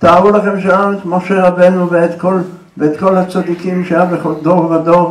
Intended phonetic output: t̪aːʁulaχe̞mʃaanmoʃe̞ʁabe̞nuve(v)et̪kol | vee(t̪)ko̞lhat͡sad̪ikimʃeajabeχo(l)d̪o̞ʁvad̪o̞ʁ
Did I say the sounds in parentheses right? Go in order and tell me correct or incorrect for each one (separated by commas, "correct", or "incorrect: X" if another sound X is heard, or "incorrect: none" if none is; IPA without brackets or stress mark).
incorrect: none, correct, correct